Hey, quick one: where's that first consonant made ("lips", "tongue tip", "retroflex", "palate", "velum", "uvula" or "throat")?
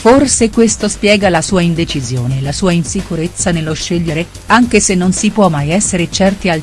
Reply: lips